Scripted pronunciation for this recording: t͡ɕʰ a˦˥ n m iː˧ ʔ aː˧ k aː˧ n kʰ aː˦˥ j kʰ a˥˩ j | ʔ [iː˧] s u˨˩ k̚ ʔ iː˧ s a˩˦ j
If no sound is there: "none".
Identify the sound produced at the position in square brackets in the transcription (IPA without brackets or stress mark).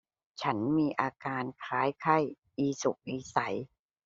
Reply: iː˧